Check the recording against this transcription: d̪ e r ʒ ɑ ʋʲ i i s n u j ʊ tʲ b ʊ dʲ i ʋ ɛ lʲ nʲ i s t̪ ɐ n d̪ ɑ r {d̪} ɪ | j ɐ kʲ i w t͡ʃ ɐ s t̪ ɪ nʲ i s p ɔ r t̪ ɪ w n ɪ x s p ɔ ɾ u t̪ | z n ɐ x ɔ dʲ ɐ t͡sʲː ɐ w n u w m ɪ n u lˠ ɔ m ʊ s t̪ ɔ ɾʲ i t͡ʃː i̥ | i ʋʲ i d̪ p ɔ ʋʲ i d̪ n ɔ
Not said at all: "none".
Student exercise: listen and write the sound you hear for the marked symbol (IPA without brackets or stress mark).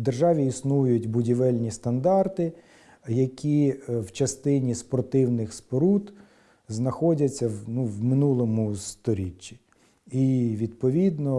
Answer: t̪